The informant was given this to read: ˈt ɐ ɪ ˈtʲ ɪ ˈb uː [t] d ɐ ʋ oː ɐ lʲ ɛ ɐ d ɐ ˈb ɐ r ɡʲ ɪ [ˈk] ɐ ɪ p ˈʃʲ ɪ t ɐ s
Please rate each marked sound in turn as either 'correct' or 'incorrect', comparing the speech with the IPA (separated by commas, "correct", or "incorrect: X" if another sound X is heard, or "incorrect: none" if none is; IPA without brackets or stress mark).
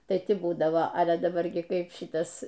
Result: incorrect: none, correct